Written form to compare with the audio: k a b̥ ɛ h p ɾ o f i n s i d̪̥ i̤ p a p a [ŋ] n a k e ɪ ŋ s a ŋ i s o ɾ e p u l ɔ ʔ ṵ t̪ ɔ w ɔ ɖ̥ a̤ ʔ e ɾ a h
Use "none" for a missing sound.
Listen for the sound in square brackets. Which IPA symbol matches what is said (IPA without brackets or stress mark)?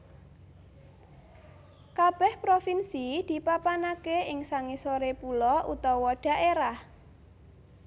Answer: none